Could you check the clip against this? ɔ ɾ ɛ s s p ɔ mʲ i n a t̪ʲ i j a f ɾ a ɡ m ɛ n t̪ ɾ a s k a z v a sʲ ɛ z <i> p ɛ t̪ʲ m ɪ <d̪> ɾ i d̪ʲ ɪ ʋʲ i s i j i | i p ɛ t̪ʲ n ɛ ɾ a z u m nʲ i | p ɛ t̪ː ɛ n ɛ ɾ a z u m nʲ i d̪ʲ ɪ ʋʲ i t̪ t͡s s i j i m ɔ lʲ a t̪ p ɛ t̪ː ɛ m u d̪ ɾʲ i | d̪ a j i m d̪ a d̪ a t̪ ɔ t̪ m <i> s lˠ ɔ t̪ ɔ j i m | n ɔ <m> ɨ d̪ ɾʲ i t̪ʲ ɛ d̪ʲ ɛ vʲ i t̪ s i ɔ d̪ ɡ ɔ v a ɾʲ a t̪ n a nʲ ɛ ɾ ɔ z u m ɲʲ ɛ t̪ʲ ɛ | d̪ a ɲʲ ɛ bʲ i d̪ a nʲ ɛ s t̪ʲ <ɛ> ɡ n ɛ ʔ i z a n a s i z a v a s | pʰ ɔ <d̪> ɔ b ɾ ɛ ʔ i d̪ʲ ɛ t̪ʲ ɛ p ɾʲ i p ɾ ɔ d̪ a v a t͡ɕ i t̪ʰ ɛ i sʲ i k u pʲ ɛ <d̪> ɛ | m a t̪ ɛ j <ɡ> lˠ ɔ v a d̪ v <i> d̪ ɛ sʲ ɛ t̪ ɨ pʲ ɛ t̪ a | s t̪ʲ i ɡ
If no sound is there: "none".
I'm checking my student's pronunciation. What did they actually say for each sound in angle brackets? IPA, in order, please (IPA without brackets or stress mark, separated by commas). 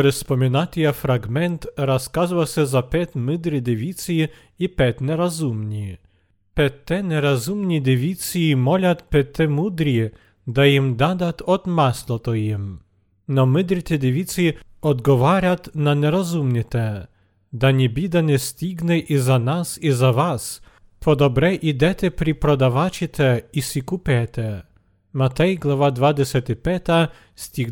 a, d̪, a, m, i, d̪, t̪, ɡ, a